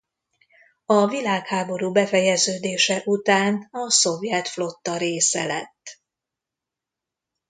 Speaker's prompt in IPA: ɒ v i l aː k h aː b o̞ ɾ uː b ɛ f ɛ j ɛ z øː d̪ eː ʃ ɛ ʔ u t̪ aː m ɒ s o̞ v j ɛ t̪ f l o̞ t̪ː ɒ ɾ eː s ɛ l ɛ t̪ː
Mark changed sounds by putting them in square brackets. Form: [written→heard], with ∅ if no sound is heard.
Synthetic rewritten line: ɒ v i l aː k h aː b o̞ ɾ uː b ɛ f ɛ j ɛ z øː d̪ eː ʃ ɛ ʔ u t̪ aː [m→n] ɒ s o̞ v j ɛ t̪ f l o̞ t̪ː ɒ ɾ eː s ɛ l ɛ t̪ː

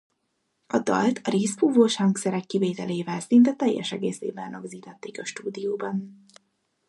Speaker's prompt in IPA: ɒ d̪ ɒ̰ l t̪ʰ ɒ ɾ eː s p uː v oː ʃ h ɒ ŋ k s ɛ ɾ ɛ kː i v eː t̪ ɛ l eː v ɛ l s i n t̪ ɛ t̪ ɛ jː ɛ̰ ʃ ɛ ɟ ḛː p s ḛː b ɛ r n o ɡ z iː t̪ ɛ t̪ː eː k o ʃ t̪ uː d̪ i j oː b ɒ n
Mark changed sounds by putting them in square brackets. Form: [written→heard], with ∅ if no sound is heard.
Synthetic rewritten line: ɒ d̪ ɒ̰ l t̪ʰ ɒ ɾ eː s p uː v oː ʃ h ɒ ŋ k s ɛ ɾ ɛ kː i v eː t̪ ɛ l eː v ɛ l s i n t̪ ɛ t̪ ɛ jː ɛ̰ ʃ ɛ [ɟ→ɡ] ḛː [p→∅] s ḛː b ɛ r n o ɡ z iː t̪ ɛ t̪ː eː k [o→ɒ] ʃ t̪ uː d̪ i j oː b ɒ n

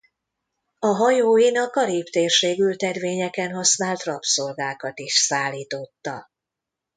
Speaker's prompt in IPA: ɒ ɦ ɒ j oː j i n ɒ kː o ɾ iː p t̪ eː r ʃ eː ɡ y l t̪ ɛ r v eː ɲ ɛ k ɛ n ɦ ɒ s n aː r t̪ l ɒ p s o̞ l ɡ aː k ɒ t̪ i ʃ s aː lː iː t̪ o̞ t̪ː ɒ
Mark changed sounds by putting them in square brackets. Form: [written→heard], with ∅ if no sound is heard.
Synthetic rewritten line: ɒ ɦ ɒ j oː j i n ɒ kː [o→ɒ] ɾ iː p t̪ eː r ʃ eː ɡ y l t̪ ɛ r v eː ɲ ɛ k ɛ n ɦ ɒ s n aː [r→l] t̪ [l→r] ɒ p s o̞ l ɡ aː k ɒ t̪ i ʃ s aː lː iː t̪ o̞ t̪ː ɒ

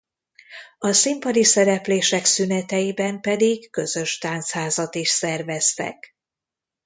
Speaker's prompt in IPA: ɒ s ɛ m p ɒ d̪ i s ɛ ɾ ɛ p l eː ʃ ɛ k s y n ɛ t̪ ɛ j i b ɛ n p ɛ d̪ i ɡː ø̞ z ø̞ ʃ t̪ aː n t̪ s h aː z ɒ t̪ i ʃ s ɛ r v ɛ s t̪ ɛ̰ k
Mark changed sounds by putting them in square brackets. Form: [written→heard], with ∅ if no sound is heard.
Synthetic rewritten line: ɒ s [ɛ→i] m p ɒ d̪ i s ɛ ɾ ɛ p l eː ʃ ɛ k s y n ɛ t̪ ɛ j i b ɛ [n→m] p ɛ d̪ i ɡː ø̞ z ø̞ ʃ t̪ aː n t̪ s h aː z ɒ t̪ i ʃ s ɛ r v ɛ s t̪ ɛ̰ k

